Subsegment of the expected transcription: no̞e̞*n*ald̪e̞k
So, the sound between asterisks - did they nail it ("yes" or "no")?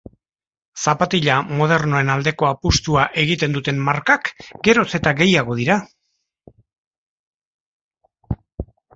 yes